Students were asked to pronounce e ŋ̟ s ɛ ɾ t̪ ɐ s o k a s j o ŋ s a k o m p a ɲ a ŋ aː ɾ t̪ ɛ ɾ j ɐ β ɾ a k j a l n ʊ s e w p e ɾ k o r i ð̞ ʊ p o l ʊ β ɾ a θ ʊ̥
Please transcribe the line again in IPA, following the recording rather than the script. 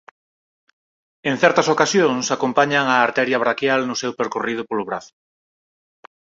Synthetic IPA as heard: e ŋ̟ θ ɛ ɾ t̪ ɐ s o k a s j o ŋ s a k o m p a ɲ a ŋ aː ɾ t̪ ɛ ɾ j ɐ β ɾ a k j a l n ʊ s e w p e ɾ k o r i ð̞ ʊ p o l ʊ β ɾ a θ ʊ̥